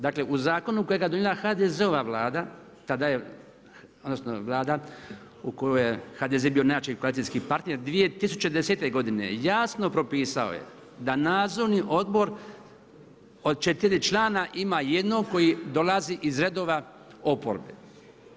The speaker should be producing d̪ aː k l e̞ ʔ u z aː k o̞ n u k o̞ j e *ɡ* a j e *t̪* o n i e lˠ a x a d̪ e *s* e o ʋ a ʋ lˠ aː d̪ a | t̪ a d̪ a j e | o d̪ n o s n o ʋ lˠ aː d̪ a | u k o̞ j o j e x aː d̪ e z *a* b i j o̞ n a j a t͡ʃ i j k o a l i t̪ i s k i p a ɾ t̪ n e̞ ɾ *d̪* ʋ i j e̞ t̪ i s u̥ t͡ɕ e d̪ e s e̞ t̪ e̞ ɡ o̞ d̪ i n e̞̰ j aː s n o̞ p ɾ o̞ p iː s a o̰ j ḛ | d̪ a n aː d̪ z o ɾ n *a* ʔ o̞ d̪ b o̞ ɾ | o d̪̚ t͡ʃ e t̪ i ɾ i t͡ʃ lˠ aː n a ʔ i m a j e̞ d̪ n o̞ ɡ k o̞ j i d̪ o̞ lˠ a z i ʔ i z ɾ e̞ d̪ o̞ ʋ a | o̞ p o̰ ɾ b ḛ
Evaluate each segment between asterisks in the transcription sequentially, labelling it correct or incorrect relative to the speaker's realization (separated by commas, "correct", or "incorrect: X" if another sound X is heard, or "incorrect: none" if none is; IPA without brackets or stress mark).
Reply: correct, incorrect: d̪, incorrect: z, incorrect: e, correct, incorrect: i